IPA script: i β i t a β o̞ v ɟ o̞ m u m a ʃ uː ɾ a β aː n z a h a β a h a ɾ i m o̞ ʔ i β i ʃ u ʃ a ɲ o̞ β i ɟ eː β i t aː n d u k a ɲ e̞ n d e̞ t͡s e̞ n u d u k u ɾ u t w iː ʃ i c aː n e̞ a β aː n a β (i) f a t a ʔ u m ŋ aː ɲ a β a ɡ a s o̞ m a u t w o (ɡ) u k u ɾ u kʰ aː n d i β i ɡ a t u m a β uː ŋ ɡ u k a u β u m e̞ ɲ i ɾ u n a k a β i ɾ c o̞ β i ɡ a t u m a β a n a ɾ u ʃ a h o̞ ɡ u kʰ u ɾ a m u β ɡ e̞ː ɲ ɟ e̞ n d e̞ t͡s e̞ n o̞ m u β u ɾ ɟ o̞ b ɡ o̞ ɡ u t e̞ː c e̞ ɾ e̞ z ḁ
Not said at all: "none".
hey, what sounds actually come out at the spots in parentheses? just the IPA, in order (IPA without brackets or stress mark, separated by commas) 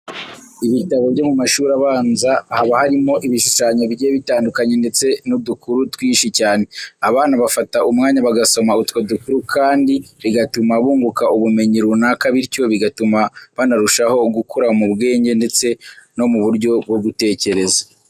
a, d